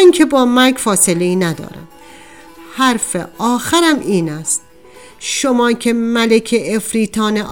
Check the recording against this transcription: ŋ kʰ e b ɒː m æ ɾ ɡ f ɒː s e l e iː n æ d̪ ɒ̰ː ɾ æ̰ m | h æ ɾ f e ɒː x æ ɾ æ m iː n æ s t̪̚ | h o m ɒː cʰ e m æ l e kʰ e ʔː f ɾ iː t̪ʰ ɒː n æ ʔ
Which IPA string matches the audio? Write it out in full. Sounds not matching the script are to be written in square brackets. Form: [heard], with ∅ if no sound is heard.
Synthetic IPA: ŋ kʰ e b ɒː m æ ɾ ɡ f ɒː s e l e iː n æ d̪ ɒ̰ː ɾ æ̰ m | h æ ɾ f e ɒː x æ ɾ æ m iː n æ s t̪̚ | [ʃ] o m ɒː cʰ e m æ l e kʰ e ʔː f ɾ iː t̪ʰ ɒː n [e] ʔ